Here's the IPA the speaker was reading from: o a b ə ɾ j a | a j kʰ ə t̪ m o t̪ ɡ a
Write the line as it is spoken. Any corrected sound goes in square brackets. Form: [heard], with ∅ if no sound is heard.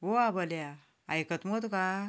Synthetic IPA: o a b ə [l] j a | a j [k] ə t̪ m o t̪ [k] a